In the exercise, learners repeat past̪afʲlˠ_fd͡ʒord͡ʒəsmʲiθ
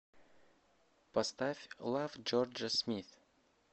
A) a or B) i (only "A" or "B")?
A